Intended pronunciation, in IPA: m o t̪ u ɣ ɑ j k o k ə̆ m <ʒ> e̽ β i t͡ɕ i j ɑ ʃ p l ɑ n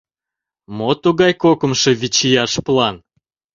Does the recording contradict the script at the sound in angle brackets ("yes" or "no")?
yes